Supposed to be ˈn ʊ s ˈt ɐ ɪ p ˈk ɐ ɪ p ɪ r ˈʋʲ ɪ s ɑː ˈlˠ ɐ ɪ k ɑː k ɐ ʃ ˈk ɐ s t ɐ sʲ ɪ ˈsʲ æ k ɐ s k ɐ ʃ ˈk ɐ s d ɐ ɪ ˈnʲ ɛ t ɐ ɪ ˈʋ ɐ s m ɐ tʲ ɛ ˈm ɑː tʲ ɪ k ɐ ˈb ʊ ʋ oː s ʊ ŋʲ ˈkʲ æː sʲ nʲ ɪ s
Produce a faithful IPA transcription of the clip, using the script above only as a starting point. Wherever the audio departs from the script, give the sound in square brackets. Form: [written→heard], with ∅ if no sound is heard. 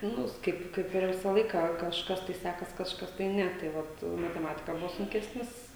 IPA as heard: ˈn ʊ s [ˈt→ˈk] ɐ ɪ p ˈk ɐ ɪ p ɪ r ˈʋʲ ɪ s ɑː ˈlˠ ɐ ɪ k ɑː k ɐ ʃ ˈk ɐ s t ɐ [sʲ→∅] ɪ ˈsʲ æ k ɐ s k ɐ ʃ ˈk ɐ s [d→t] ɐ ɪ ˈnʲ ɛ t ɐ ɪ ˈʋ ɐ [s→t] m ɐ tʲ ɛ ˈm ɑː tʲ ɪ k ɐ ˈb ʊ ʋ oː s ʊ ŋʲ ˈkʲ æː sʲ nʲ ɪ s

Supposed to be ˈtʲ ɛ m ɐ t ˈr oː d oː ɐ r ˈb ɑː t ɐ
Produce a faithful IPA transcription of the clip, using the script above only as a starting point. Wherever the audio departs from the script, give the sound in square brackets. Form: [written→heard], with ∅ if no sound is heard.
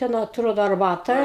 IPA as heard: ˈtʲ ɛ [m→n] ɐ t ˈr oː d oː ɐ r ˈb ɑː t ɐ

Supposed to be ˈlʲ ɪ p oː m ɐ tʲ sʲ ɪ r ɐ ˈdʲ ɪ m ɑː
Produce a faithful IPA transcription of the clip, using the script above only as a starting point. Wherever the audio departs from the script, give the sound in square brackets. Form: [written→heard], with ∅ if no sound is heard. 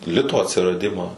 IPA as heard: ˈlʲ ɪ [p→t] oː [m→∅] ɐ tʲ sʲ ɪ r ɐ ˈdʲ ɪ m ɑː

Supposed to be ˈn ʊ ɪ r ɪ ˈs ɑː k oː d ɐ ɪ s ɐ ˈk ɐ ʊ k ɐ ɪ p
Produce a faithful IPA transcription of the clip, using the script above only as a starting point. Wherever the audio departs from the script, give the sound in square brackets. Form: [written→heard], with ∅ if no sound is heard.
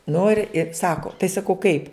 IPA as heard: ˈn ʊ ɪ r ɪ ˈs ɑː k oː [d→t] ɐ ɪ s ɐ ˈk ɐ ʊ k ɐ ɪ p

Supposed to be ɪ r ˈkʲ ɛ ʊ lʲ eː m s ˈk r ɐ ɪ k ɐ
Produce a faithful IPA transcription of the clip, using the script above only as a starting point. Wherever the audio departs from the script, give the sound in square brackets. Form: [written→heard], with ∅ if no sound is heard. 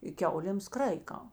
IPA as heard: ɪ [r→∅] ˈkʲ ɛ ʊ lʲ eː m s ˈk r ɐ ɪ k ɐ

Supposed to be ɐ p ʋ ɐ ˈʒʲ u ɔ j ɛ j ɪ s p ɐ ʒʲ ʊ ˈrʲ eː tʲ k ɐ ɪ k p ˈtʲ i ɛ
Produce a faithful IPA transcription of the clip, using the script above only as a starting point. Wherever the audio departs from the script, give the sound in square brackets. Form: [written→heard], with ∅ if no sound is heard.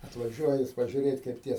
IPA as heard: ɐ [p→t] ʋ ɐ ˈʒʲ u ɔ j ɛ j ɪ s p ɐ ʒʲ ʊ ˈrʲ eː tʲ k ɐ ɪ [k→∅] p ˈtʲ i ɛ

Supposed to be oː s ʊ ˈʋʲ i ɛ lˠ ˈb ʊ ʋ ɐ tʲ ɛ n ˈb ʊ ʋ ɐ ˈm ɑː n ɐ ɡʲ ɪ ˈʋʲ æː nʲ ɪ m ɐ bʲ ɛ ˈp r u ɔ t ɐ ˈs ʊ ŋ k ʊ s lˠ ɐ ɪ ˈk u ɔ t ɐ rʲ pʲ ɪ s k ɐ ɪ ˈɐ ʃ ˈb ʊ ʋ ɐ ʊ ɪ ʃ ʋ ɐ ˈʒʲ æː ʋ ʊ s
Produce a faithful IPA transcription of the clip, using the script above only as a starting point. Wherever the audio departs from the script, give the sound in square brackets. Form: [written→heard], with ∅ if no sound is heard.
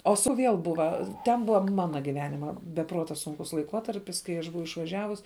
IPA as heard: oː s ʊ ˈʋʲ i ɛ lˠ ˈb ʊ ʋ ɐ tʲ ɛ n ˈb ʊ ʋ ɐ ˈm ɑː n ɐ ɡʲ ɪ ˈʋʲ æː nʲ ɪ m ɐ bʲ ɛ ˈp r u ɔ t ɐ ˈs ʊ ŋ k ʊ s lˠ ɐ ɪ ˈk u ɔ t ɐ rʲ pʲ ɪ s k ɐ ɪ ˈɐ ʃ ˈb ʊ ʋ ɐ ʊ ɪ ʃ ʋ ɐ ˈʒʲ æː ʋ ʊ s

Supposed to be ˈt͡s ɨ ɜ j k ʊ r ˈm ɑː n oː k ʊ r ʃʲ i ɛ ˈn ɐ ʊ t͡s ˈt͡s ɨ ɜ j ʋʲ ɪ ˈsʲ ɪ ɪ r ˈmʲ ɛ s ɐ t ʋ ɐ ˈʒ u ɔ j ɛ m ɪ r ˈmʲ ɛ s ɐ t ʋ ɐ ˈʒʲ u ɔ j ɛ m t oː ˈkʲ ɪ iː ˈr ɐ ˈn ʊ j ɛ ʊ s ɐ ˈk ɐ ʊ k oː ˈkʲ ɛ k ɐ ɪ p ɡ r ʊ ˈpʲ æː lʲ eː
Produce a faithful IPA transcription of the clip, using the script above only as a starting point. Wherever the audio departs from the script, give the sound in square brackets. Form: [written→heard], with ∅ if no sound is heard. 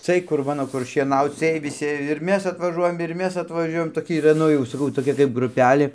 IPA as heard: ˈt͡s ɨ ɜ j k ʊ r ˈm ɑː n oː k ʊ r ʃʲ i ɛ ˈn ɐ ʊ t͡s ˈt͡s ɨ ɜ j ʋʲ ɪ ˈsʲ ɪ ɪ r ˈmʲ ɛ s ɐ t ʋ ɐ ˈʒ u ɔ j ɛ m ɪ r ˈmʲ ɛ s ɐ t ʋ ɐ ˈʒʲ u ɔ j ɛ m t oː ˈkʲ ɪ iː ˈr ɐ ˈn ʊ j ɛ ʊ s ɐ ˈk ɐ ʊ [k→t] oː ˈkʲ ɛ k ɐ ɪ p ɡ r ʊ ˈpʲ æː lʲ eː

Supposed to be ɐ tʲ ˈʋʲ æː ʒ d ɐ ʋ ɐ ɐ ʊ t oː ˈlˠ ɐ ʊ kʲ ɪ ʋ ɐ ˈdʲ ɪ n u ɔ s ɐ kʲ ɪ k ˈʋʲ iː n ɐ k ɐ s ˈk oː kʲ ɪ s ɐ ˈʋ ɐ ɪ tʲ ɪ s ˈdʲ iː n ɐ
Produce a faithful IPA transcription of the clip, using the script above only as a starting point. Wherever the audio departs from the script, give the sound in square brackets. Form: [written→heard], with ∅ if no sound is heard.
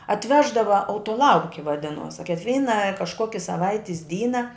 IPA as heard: ɐ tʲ ˈʋʲ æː ʒ d ɐ ʋ ɐ ɐ ʊ t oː ˈlˠ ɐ ʊ kʲ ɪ ʋ ɐ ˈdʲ ɪ n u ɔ s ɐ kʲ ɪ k ˈʋʲ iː n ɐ k ɐ [s→ʃ] ˈk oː kʲ ɪ s ɐ ˈʋ ɐ ɪ tʲ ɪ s ˈdʲ iː n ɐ

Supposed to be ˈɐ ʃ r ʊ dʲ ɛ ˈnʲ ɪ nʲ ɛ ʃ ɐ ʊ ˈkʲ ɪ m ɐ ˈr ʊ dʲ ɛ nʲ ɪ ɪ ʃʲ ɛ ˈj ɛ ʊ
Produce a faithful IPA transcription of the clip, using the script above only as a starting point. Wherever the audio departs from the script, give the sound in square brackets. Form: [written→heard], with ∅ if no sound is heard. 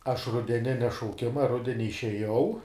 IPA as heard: ˈɐ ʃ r ʊ dʲ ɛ ˈnʲ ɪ nʲ ɛ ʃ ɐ ʊ ˈkʲ ɪ m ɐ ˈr ʊ dʲ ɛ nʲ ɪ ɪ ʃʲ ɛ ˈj ɛ ʊ

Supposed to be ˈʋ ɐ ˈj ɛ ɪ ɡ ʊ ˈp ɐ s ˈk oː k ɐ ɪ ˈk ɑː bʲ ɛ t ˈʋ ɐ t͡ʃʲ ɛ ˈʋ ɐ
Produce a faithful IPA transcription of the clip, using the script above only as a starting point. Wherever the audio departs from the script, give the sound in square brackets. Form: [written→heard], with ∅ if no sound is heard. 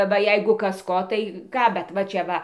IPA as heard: ˈʋ ɐ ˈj ɛ ɪ ɡ ʊ [ˈp→ˈk] ɐ s ˈk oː [k→t] ɐ ɪ ˈk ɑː bʲ ɛ t ˈʋ ɐ t͡ʃʲ ɛ ˈʋ ɐ

